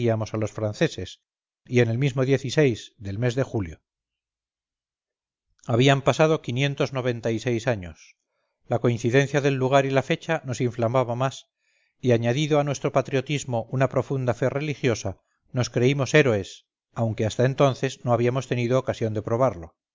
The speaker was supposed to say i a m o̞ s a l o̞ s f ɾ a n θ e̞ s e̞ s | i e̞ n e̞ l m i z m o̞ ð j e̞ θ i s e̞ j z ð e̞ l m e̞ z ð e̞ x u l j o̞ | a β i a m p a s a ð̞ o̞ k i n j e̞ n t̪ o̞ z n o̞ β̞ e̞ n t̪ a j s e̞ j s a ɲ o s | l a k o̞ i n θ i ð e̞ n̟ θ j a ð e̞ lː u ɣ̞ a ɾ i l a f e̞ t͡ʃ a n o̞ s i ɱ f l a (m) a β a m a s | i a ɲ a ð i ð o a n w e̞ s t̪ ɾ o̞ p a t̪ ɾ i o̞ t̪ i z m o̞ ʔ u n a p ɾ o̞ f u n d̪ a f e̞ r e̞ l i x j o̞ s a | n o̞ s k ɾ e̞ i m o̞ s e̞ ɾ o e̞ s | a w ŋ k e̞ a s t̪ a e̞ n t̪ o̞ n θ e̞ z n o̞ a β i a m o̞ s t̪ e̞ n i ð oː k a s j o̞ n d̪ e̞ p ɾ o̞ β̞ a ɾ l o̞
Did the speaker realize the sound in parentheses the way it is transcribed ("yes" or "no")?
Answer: yes